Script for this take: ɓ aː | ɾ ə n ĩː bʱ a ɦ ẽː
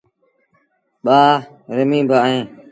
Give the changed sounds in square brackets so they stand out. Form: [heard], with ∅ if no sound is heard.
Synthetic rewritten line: ɓ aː | ɾ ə [m] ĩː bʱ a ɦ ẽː